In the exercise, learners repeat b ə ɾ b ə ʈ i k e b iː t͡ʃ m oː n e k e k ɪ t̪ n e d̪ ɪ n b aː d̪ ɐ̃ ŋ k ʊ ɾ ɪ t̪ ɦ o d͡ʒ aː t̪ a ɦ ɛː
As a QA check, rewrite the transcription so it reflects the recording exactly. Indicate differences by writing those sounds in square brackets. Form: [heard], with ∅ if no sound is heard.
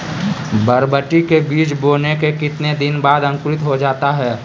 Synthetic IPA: b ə ɾ b ə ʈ i k e b iː t͡ʃ [b] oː n e k e k ɪ t̪ n e d̪ ɪ n b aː d̪ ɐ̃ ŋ k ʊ ɾ ɪ t̪ ɦ o d͡ʒ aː t̪ a ɦ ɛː